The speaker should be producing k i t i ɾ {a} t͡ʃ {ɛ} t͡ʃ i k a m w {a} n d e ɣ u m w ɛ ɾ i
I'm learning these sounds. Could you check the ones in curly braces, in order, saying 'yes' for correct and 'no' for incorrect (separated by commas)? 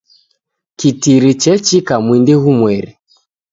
no, yes, no